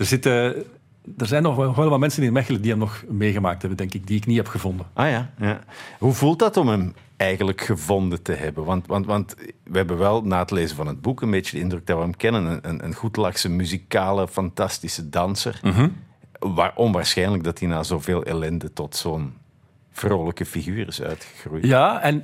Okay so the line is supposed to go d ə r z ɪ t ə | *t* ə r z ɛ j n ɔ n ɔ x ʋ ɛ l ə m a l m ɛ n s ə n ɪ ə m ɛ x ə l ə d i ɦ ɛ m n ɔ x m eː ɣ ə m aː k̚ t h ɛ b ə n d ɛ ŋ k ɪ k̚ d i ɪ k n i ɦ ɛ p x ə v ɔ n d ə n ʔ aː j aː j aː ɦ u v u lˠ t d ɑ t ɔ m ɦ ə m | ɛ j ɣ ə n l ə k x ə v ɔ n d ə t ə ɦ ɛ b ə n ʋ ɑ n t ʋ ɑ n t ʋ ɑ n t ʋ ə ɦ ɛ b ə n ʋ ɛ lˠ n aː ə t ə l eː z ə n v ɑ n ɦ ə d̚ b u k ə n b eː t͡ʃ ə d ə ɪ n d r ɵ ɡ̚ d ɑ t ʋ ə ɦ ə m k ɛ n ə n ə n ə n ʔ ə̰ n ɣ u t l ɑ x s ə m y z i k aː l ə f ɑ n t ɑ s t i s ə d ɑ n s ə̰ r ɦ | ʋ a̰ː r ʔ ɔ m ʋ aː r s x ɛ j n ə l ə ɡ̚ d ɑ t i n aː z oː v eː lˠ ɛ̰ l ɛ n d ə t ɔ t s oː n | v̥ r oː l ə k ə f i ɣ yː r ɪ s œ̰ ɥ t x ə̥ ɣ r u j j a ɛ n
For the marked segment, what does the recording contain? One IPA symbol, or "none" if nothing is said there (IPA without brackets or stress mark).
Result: d